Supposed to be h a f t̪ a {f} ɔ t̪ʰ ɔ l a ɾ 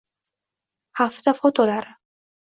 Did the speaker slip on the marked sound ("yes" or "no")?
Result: no